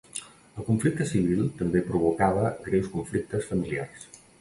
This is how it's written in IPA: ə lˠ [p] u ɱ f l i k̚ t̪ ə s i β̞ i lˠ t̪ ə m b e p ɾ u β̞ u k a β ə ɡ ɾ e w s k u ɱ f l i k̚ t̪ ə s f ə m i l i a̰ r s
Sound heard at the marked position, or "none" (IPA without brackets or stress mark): k